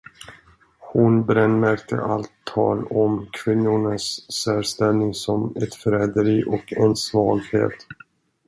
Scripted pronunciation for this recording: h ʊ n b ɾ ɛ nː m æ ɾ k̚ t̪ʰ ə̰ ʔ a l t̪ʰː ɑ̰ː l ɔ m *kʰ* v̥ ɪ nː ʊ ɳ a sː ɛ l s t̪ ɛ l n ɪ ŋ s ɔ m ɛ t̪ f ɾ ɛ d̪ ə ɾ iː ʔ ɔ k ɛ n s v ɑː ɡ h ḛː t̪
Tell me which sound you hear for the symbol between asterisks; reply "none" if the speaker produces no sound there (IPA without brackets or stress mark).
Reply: kʰ